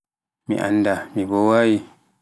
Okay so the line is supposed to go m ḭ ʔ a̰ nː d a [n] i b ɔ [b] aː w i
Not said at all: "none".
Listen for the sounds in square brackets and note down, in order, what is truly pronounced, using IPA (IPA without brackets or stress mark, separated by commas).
m, w